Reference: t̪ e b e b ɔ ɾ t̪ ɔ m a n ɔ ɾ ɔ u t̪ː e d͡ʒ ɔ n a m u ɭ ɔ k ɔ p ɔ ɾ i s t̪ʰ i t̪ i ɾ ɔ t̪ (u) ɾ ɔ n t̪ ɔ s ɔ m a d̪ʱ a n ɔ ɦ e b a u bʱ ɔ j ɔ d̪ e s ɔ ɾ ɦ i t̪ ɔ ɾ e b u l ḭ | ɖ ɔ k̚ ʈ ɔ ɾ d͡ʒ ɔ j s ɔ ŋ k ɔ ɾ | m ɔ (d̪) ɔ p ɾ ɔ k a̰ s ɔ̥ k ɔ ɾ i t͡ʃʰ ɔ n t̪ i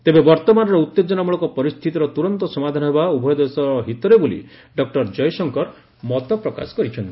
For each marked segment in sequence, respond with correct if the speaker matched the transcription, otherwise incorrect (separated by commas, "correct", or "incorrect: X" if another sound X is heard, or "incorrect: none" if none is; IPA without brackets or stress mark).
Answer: correct, incorrect: t̪